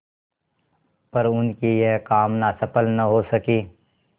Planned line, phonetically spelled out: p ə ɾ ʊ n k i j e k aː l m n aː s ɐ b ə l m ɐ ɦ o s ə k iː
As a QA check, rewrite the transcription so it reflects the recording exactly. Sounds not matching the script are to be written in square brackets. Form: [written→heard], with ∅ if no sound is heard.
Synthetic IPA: p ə ɾ ʊ n k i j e k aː [l→∅] m n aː s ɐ [b→p] ə l [m→n] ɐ ɦ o s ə k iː

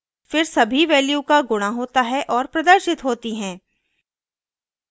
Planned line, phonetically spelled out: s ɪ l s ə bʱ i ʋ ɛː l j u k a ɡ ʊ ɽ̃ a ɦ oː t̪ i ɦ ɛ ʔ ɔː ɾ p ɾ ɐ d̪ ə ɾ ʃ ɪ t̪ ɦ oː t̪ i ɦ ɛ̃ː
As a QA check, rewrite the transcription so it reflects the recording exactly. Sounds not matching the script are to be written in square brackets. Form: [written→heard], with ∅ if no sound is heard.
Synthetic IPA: [s→f] ɪ [l→ɾ] s [ə→ɐ] bʱ i ʋ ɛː l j u k a ɡ ʊ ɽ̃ a ɦ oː t̪ [i→a] ɦ ɛ ʔ ɔː ɾ p ɾ ɐ d̪ ə ɾ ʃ ɪ t̪ ɦ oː t̪ i ɦ ɛ̃ː

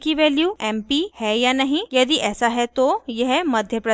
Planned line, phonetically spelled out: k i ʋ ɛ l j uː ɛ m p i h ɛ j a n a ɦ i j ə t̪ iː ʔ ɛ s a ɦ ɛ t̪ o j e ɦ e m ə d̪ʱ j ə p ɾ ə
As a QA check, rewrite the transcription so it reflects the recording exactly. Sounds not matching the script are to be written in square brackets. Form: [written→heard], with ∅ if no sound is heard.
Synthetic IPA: k i ʋ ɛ l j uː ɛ m p i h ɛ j a n a ɦ i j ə [t̪→d̪] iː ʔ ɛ s a ɦ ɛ t̪ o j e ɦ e m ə d̪ʱ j ə p ɾ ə

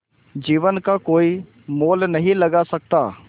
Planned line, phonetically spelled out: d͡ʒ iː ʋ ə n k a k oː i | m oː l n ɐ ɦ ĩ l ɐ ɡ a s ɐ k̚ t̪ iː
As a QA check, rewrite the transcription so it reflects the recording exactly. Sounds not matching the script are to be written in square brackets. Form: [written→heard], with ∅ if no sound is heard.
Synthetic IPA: d͡ʒ iː ʋ ə n k a k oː i | m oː l n ɐ ɦ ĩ l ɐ ɡ a s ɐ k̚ t̪ [iː→aː]

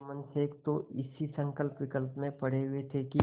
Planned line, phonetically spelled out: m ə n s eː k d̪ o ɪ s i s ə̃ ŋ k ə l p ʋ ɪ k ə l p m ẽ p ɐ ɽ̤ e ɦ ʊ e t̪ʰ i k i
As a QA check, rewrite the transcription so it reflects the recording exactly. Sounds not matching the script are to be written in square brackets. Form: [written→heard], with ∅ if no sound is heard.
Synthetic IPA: m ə n s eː k [d̪→t̪] o ɪ s i s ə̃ ŋ k ə l p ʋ ɪ k ə l p m ẽ p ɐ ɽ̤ e ɦ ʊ e t̪ʰ [i→e] k i

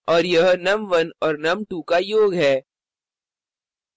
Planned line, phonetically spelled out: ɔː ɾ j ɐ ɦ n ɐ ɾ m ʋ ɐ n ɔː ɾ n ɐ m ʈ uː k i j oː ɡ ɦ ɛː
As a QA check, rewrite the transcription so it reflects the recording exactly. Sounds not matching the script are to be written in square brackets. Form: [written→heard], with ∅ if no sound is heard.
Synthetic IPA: ɔː ɾ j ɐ ɦ n ɐ [ɾ→∅] m ʋ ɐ n ɔː ɾ n ɐ m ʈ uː k [i→a] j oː ɡ ɦ ɛː

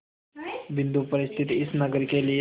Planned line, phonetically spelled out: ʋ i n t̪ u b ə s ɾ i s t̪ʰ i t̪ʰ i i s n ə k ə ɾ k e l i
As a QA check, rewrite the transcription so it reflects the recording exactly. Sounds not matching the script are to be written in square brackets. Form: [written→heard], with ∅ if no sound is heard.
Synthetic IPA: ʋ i n [t̪→d̪] u [b→p] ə [s→∅] ɾ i s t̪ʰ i [t̪ʰ→t̪] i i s n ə [k→ɡ] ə ɾ k e l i

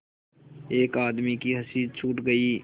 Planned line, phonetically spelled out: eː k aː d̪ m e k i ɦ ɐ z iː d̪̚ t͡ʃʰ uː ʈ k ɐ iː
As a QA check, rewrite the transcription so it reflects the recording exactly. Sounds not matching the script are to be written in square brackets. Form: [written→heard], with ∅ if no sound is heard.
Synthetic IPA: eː k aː d̪ m [e→i] k i ɦ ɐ [z→s] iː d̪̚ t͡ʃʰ uː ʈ [k→ɡ] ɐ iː

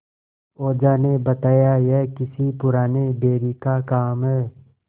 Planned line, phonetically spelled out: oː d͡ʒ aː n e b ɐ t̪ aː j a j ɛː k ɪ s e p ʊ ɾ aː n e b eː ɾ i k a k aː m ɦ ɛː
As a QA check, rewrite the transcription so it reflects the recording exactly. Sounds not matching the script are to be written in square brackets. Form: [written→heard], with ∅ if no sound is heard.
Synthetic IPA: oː d͡ʒ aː n e b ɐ t̪ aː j a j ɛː k ɪ s [e→i] p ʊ ɾ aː n e b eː ɾ i k a k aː m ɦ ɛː

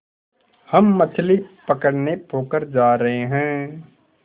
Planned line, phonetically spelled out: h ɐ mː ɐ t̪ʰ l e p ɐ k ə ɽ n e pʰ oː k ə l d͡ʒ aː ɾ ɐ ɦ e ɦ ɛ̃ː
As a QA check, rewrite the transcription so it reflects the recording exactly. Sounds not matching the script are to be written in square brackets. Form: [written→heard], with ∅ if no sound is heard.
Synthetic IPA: h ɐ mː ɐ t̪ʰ l [e→i] p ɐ k ə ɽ n e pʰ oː k ə [l→ɾ] d͡ʒ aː ɾ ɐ ɦ e ɦ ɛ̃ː

